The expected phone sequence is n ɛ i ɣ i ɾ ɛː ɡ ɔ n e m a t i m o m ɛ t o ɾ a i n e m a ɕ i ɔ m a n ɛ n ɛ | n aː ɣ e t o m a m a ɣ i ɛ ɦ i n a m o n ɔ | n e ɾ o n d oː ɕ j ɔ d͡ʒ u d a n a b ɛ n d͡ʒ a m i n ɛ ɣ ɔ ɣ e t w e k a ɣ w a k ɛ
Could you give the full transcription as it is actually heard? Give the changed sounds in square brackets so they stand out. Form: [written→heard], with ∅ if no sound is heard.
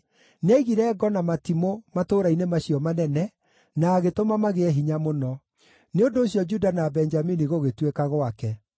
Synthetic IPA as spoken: n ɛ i ɣ i ɾ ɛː ɡ ɔ n [e→a] m a t i m o m [ɛ→a] t o ɾ a i n e m a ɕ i ɔ m a n ɛ n ɛ | n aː ɣ e t o m a m a ɣ [i→e] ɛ ɦ i [n→ɲ] a m o n ɔ | n e [ɾ→∅] o n d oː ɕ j ɔ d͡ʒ u d a n a b ɛ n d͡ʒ a m i n [ɛ→i] ɣ [ɔ→o] ɣ e t w e k a ɣ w a k ɛ

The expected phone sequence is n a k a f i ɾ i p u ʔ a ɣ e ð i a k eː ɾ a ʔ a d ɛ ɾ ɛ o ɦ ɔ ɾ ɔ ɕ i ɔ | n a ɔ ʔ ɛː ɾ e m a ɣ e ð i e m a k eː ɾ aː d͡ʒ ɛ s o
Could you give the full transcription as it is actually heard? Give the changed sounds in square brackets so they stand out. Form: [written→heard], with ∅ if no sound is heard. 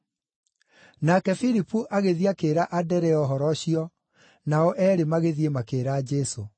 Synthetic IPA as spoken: n a k [a→ɛ] f i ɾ i p u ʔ a ɣ e ð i a k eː ɾ a ʔ a d ɛ ɾ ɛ [o→ɔ] ɦ ɔ ɾ ɔ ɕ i ɔ | n a ɔ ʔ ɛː ɾ e m a ɣ e ð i e m a k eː ɾ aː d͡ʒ ɛ s o

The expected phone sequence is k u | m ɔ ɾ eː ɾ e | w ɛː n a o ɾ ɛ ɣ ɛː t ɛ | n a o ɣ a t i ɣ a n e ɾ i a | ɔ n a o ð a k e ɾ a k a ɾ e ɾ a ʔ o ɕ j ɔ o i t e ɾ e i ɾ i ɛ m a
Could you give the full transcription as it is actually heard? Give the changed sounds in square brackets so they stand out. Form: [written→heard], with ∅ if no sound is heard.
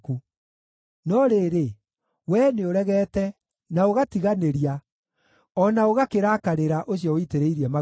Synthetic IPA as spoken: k u | [m→n] ɔ ɾ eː ɾ e | w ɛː n [a→e] o ɾ ɛ ɣ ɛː t ɛ | n a o ɣ a t i ɣ a n e ɾ i a | ɔ n a o [ð→ɣ] a k e ɾ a k a ɾ e ɾ a ʔ o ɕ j ɔ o i t e ɾ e i ɾ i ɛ m a

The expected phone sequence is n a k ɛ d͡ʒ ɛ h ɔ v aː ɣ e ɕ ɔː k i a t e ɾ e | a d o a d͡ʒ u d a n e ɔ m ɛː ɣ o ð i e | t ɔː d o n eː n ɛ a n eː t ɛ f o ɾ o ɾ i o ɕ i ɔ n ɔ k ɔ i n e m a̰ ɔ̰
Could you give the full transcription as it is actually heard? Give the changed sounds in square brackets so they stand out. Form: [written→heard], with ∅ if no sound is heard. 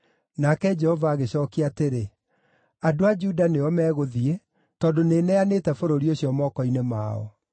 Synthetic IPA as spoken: n a k ɛ d͡ʒ ɛ h ɔ v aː ɣ e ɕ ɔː k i a t e ɾ e | a d o a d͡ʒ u d a n e ɔ m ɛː ɣ o ð i e | t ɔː d o n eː n ɛ a n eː t ɛ f o ɾ o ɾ i o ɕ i ɔ [n→m] ɔ k ɔ i n e m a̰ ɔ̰

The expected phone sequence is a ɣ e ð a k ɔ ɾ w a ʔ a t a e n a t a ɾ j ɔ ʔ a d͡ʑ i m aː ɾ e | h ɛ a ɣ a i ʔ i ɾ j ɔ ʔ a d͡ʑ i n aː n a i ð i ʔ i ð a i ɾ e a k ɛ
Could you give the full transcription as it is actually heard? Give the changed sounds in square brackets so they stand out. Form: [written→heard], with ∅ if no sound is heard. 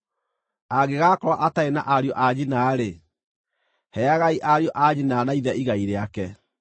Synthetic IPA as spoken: a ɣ e [ð→ɣ] a k ɔ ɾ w a ʔ a t a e n a [t→ʔ] a ɾ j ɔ ʔ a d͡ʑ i [m→n] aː ɾ e | h ɛ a ɣ a i ʔ [i→a] ɾ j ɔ ʔ a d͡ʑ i n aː n a i ð [i→ɛ] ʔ i [ð→ɣ] a i ɾ e a k ɛ

